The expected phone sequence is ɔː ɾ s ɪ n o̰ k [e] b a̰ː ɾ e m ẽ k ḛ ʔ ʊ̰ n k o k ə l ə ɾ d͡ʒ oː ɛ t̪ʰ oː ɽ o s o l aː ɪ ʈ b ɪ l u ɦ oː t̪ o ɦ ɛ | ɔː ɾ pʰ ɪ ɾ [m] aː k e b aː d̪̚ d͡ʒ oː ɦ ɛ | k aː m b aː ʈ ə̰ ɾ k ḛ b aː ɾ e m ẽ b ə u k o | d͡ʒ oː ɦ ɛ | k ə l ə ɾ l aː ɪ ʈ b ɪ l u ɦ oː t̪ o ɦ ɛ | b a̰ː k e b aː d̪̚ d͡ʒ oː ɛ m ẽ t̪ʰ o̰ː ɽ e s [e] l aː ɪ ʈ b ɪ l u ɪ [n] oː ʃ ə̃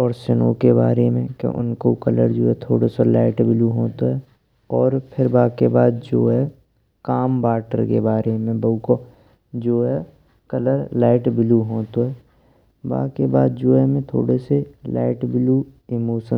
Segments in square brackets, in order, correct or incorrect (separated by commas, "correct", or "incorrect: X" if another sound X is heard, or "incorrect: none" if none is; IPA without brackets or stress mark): correct, incorrect: b, correct, incorrect: m